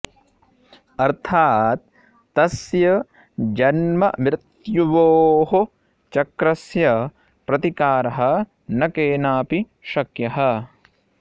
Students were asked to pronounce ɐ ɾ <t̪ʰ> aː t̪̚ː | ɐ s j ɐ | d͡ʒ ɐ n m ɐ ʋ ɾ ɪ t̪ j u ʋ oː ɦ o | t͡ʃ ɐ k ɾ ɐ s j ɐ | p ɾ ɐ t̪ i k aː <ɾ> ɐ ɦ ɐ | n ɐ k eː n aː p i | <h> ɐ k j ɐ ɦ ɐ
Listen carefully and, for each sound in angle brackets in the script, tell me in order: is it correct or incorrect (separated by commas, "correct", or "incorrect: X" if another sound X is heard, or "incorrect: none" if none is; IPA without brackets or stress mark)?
correct, correct, incorrect: ʃ